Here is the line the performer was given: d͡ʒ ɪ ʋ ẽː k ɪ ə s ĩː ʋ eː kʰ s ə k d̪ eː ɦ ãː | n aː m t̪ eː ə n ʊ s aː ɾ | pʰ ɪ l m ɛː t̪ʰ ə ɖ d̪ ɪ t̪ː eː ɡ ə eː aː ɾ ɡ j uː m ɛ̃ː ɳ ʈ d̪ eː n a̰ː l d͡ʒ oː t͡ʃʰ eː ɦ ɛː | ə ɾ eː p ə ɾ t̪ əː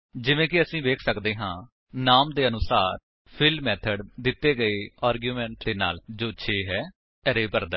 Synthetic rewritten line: d͡ʒ ɪ ʋ ẽː k ɪ ə s ĩː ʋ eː kʰ s ə k d̪ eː ɦ ãː | n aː m d̪ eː ə n ʊ s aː ɾ | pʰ ɪ l m ɛː t̪ʰ ə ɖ d̪ ɪ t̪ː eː ɡ ə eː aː ɾ ɡ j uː m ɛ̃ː ɳ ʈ d̪ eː n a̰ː l d͡ʒ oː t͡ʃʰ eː ɦ ɛː | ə ɾ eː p ə ɾ d̪ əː